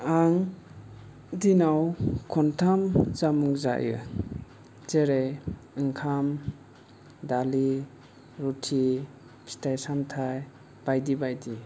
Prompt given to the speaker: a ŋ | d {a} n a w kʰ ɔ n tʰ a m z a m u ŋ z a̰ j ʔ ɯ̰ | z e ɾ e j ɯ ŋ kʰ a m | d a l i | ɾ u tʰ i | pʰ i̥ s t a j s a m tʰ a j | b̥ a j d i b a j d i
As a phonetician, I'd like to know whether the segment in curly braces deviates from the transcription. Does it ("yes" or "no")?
yes